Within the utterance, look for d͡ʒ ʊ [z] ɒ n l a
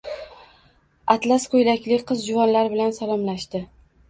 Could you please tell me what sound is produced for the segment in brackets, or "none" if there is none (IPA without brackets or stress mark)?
v